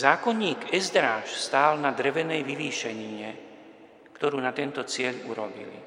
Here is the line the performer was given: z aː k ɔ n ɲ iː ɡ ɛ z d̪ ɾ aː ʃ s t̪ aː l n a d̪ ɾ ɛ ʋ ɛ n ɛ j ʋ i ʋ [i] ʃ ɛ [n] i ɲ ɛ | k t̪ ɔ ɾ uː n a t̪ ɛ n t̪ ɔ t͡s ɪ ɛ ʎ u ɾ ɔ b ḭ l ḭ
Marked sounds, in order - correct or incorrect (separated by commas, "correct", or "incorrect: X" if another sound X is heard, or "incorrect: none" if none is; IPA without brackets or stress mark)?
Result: incorrect: iː, incorrect: ɲ